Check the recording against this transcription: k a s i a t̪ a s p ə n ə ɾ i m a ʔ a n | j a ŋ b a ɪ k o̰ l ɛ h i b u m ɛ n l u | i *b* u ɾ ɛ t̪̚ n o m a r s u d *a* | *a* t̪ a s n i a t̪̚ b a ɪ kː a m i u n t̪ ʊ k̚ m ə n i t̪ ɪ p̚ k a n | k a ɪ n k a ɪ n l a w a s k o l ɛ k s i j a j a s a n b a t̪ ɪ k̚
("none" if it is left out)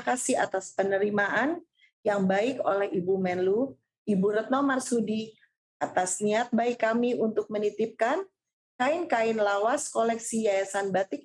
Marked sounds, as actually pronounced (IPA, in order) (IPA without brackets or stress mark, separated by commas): b, i, a